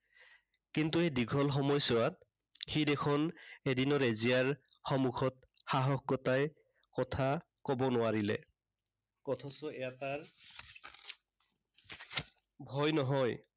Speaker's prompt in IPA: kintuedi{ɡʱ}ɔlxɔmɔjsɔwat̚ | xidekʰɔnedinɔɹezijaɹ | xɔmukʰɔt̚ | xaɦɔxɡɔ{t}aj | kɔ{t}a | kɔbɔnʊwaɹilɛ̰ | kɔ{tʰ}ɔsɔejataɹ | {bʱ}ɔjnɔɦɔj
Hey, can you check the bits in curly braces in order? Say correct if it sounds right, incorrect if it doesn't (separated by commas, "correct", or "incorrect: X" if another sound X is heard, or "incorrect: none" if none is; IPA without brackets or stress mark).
correct, correct, incorrect: tʰ, correct, correct